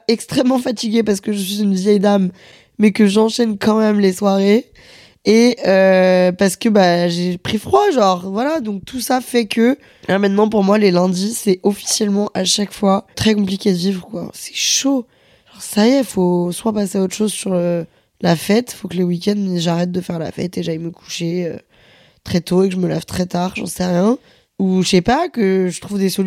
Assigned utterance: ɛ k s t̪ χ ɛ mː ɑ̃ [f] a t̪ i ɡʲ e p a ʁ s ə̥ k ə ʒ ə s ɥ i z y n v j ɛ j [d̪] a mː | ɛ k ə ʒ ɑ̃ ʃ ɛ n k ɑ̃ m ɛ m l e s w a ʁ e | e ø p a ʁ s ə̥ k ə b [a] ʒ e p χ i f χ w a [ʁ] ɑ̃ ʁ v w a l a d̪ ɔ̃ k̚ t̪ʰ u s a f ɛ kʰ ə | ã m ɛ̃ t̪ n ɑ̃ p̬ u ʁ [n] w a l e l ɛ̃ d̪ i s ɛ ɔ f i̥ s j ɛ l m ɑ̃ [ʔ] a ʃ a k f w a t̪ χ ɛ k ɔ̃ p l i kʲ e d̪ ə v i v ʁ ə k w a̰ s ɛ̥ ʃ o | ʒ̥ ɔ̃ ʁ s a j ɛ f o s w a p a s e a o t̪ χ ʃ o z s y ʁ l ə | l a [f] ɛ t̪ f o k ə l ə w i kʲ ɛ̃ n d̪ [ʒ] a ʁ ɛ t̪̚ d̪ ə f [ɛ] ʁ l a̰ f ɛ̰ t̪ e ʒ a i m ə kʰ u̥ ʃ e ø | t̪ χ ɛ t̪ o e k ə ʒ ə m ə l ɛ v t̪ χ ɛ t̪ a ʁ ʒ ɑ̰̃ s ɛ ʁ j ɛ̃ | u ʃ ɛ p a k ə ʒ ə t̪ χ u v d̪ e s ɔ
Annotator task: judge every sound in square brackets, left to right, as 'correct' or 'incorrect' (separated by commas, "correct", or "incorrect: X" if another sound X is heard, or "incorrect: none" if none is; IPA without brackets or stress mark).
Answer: correct, correct, correct, incorrect: ʒ, incorrect: m, correct, correct, correct, correct